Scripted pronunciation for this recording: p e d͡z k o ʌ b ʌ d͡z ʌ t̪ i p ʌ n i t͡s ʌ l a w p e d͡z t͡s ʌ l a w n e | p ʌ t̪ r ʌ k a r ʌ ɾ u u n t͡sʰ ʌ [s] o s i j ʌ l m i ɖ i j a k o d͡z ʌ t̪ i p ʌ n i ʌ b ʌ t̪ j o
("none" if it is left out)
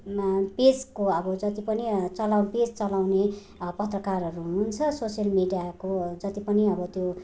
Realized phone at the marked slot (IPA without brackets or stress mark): s